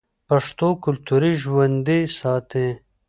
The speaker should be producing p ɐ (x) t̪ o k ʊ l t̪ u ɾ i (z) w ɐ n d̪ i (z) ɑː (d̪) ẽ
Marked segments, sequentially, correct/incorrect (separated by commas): incorrect, incorrect, incorrect, incorrect